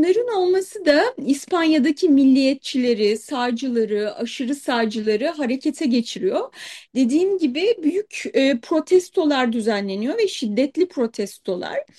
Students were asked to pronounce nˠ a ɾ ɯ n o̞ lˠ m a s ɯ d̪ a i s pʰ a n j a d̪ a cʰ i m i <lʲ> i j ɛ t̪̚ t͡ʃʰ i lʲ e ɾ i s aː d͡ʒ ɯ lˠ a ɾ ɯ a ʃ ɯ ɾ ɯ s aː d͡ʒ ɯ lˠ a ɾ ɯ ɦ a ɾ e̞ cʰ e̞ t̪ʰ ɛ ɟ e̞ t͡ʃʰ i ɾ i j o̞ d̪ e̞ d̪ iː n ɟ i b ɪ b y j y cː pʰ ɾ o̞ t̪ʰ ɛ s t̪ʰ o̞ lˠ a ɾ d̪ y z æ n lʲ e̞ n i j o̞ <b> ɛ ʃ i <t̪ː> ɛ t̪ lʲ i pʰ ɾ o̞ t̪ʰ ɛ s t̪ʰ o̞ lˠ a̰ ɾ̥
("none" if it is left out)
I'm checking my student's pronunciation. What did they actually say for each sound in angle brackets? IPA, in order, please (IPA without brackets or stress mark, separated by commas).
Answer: lʲː, v, d̪ː